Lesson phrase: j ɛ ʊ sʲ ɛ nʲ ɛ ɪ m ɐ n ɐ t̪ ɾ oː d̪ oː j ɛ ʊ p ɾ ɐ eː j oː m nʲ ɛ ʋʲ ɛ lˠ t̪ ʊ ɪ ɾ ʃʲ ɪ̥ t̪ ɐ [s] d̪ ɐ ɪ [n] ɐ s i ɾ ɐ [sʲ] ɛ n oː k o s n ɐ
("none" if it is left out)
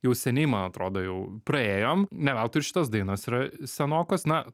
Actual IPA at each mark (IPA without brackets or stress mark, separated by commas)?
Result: s, n, sʲ